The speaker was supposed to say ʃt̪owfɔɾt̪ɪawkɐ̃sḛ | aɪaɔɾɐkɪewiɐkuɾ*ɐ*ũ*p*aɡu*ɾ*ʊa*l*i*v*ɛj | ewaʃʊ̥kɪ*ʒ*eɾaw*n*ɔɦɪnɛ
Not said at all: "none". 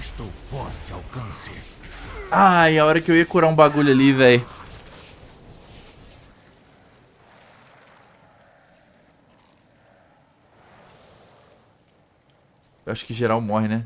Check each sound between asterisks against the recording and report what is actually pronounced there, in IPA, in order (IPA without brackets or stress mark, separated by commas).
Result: a, b, ʎ, l, v, ʒ, m